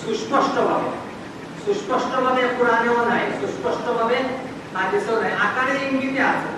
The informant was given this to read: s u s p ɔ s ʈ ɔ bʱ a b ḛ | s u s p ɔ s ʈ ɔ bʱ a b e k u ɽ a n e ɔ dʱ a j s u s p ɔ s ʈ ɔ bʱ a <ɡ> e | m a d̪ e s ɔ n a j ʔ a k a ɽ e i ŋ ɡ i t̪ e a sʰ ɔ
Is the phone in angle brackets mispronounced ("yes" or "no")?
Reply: yes